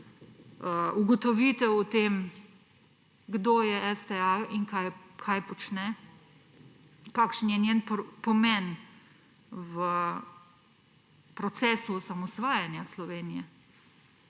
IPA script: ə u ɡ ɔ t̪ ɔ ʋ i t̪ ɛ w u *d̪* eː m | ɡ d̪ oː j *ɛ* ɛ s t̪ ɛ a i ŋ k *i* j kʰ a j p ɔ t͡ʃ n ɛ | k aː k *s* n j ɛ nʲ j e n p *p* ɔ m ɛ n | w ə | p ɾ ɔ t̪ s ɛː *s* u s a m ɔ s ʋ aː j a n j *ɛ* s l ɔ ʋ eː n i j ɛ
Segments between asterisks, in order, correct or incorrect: incorrect, correct, incorrect, incorrect, correct, correct, incorrect

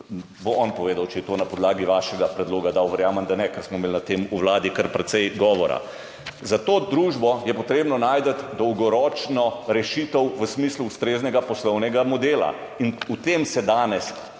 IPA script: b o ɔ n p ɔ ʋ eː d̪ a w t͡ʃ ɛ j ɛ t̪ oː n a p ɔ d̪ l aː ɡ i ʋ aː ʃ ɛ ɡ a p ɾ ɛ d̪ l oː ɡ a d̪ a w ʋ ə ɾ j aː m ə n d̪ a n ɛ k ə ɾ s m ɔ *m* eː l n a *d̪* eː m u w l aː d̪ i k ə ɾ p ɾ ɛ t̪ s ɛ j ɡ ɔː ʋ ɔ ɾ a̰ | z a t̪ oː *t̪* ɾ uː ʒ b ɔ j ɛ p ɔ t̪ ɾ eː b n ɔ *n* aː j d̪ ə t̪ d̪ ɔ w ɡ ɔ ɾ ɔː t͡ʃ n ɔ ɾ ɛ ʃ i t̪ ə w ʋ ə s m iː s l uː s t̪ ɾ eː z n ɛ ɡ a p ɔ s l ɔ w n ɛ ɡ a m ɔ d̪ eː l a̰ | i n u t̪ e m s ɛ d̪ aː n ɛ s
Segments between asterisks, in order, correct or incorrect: correct, incorrect, incorrect, correct

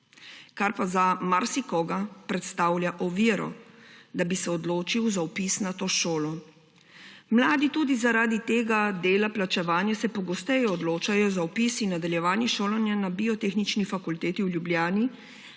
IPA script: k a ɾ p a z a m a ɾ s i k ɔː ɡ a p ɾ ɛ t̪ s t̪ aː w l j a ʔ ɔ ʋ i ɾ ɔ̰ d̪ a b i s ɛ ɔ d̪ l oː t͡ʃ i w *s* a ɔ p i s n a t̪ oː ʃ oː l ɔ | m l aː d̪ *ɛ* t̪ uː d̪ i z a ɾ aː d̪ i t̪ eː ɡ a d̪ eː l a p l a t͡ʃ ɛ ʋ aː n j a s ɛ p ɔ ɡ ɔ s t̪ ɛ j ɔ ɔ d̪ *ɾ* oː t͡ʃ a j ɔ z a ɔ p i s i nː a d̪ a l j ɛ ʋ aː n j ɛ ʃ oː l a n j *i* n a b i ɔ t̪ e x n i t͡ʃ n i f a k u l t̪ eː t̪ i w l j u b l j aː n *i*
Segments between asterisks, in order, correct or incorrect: incorrect, incorrect, incorrect, incorrect, correct

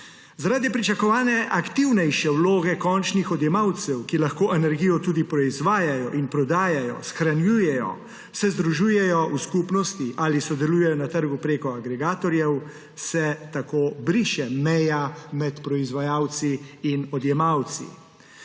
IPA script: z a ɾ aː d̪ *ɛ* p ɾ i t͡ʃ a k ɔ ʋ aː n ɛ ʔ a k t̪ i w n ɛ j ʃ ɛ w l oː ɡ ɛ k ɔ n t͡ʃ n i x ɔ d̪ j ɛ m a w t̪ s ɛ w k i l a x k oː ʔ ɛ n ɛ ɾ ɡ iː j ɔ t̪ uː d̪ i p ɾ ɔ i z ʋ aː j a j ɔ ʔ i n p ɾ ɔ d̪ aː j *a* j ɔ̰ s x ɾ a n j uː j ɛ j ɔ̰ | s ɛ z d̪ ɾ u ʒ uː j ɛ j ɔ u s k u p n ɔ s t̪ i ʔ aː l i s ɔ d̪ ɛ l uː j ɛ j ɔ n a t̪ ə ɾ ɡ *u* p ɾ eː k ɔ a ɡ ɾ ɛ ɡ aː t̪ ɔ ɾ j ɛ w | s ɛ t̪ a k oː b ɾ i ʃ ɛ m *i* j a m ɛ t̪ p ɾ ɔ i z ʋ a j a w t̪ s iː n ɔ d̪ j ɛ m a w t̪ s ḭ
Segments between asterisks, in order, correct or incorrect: incorrect, correct, correct, incorrect

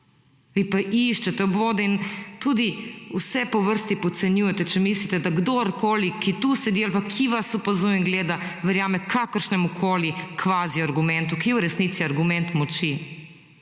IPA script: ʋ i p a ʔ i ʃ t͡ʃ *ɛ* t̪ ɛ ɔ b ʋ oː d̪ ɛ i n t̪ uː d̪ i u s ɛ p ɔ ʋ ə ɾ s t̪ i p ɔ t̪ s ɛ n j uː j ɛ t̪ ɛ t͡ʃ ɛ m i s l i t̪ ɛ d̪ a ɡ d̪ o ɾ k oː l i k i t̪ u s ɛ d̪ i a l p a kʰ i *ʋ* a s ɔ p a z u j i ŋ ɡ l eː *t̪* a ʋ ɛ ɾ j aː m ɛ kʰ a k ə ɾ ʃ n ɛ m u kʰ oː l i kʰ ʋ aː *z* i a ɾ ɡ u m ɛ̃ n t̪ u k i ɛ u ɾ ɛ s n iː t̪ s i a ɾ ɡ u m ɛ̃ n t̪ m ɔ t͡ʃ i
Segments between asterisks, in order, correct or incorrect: correct, correct, incorrect, correct

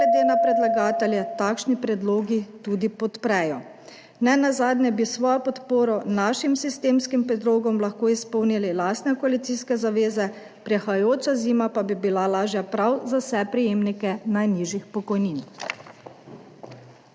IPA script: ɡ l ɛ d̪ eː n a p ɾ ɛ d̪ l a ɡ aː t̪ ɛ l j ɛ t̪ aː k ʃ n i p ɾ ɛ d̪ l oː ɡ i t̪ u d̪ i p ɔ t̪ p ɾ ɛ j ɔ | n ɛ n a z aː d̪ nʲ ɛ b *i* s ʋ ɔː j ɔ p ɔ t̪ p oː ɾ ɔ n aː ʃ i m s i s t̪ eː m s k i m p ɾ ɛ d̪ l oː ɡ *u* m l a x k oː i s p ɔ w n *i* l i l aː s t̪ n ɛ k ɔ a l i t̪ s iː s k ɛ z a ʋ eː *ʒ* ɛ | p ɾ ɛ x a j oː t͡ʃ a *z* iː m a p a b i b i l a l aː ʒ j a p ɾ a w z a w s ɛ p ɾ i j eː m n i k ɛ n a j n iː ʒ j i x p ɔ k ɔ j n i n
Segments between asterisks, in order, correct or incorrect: correct, incorrect, correct, incorrect, correct

